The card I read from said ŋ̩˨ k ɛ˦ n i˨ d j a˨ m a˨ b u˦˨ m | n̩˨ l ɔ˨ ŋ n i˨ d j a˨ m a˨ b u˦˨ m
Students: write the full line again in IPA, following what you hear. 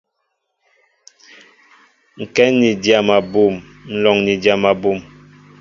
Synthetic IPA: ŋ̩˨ k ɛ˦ n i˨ d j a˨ m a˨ b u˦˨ m | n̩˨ l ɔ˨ ŋ n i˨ d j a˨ m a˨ b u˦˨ m